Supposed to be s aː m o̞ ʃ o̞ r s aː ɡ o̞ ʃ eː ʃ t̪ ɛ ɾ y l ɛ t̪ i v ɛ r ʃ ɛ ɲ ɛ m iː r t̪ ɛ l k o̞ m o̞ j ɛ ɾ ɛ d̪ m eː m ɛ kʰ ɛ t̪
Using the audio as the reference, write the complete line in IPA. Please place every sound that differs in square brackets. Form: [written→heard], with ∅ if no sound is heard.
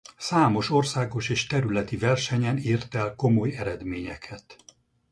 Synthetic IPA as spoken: s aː m o̞ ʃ o̞ r s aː ɡ o̞ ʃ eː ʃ t̪ ɛ ɾ y l ɛ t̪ i v ɛ r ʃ ɛ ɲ ɛ [m→n] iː r t̪ ɛ l k o̞ m o̞ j ɛ ɾ ɛ d̪ m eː [m→ɲ] ɛ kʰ ɛ t̪